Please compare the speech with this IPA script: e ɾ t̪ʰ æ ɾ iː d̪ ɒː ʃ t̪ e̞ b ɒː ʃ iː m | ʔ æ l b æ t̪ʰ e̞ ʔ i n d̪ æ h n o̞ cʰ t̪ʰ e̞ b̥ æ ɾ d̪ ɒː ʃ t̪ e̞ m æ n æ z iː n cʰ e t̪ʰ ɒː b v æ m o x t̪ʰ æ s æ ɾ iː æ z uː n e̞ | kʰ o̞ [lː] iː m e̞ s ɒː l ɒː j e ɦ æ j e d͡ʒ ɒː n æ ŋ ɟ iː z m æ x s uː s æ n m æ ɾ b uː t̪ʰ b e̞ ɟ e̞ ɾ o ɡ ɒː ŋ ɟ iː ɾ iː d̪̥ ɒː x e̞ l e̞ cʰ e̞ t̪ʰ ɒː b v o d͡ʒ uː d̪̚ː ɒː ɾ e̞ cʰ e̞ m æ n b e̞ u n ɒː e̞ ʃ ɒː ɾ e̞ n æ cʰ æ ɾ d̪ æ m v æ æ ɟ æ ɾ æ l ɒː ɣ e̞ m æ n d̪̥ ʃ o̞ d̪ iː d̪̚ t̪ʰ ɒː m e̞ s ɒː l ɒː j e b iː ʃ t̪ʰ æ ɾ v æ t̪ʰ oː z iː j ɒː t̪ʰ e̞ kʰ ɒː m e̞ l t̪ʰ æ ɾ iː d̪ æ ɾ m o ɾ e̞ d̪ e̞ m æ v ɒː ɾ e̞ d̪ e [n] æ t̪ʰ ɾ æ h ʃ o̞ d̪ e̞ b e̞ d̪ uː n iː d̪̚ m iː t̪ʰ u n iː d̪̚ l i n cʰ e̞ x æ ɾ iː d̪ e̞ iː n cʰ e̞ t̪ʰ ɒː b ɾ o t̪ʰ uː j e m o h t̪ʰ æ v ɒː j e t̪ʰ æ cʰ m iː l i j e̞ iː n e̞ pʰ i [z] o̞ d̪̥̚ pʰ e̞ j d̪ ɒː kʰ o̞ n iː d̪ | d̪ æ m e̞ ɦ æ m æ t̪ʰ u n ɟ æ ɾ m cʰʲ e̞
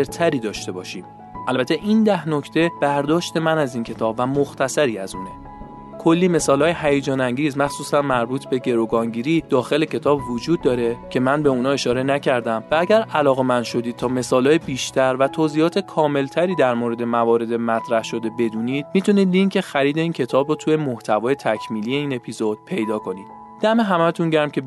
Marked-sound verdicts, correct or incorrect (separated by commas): correct, incorrect, correct